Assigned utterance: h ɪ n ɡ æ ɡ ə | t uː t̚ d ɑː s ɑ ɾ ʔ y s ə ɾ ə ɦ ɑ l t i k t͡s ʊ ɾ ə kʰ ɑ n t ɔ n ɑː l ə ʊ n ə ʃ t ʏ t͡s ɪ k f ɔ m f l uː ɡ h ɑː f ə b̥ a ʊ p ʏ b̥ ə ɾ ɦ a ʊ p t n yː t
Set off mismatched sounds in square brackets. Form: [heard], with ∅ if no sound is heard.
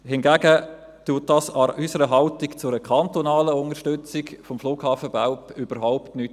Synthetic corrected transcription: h ɪ n ɡ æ ɡ ə | t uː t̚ d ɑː s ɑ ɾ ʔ y s ə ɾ ə ɦ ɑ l t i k t͡s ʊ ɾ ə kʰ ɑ n t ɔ n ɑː l ə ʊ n ə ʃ t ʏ t͡s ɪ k f ɔ m f l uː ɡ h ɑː f ə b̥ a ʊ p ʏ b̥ ə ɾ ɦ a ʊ p t n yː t